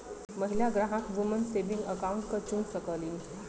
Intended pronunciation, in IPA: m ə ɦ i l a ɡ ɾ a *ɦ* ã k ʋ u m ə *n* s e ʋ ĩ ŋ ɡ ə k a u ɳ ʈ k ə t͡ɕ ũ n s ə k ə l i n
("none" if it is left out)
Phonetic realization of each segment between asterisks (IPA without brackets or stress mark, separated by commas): ɦ, n